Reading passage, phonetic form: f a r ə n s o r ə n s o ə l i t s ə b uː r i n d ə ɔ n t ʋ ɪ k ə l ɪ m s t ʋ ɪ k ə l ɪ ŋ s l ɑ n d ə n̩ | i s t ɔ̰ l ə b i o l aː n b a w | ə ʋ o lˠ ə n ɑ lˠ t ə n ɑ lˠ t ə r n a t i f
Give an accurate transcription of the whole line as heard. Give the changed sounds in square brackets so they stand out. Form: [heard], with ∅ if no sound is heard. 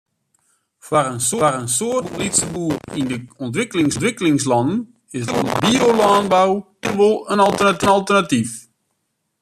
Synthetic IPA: f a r ə n s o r ə n s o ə l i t s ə b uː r i n d ə ɔ n t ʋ ɪ k ə l ɪ [ŋ] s t ʋ ɪ k ə l ɪ ŋ s l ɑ n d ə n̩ | [ɪ] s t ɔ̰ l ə b i o l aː n b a w | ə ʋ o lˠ ə n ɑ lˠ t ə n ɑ lˠ t ə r n a t i f